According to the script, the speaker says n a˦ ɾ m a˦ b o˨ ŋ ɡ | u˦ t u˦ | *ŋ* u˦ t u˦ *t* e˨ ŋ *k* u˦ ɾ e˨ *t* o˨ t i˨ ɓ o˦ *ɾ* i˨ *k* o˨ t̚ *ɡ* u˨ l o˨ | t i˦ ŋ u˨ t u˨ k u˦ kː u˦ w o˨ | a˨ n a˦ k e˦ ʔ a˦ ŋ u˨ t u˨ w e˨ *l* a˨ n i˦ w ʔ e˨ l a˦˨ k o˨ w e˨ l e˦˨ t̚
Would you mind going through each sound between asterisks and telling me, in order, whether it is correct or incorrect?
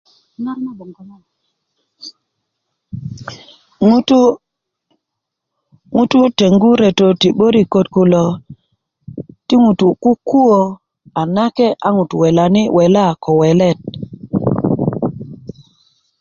correct, correct, incorrect, correct, correct, correct, incorrect, correct

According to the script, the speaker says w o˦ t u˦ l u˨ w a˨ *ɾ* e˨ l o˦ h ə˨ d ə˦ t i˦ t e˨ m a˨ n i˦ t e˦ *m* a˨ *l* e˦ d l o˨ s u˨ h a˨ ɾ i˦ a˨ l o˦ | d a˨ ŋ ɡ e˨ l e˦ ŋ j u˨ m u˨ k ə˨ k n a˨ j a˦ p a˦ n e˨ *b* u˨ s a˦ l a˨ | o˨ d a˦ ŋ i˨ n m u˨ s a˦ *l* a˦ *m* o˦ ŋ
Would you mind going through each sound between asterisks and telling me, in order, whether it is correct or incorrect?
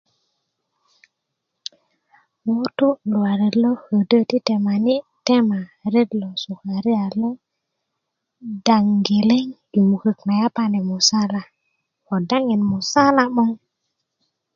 correct, correct, incorrect, incorrect, correct, correct

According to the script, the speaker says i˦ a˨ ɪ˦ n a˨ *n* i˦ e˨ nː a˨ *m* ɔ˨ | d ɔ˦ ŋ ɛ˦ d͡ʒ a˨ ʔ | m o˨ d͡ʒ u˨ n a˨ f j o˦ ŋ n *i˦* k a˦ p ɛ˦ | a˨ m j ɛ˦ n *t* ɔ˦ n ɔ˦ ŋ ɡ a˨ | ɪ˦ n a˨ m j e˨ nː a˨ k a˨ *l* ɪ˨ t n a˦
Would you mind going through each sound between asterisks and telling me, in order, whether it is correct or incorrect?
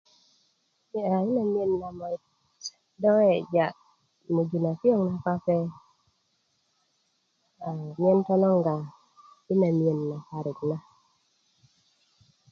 incorrect, correct, incorrect, correct, incorrect

